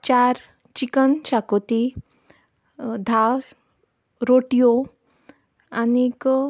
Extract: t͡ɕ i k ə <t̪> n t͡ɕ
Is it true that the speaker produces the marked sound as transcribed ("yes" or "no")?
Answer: no